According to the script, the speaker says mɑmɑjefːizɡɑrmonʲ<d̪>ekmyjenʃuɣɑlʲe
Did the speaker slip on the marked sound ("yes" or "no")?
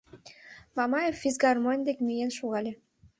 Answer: no